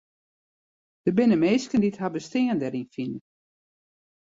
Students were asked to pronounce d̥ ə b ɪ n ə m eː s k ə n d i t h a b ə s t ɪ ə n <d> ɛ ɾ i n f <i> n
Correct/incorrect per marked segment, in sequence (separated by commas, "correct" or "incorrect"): correct, correct